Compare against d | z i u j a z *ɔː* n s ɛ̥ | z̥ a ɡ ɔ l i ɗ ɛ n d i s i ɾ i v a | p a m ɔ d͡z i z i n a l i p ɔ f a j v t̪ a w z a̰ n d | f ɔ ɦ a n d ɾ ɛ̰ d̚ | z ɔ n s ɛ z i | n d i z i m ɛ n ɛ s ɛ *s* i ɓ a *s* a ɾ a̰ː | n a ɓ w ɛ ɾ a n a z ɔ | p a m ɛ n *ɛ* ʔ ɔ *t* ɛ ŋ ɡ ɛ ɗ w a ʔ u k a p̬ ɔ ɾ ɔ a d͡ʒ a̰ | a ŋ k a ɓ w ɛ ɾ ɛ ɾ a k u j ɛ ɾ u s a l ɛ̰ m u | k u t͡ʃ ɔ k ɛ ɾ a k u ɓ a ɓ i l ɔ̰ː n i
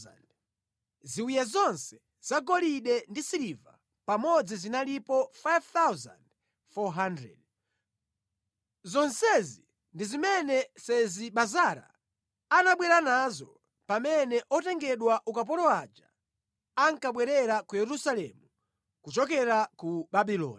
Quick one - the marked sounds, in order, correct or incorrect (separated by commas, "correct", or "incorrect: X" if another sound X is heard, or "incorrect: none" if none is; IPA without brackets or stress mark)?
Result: incorrect: ɔ, incorrect: z, incorrect: z, correct, correct